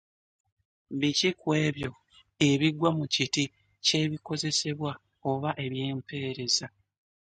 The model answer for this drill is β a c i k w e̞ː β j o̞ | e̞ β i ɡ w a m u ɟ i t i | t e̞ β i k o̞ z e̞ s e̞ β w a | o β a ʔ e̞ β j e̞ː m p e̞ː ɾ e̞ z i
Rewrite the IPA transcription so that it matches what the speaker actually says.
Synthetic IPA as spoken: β i c i k w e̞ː β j o̞ | e̞ β i ɡ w a m u c i t i | c e̞ β i k o̞ z e̞ s e̞ β w a | o β a ʔ e̞ β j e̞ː m p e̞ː ɾ e̞ z a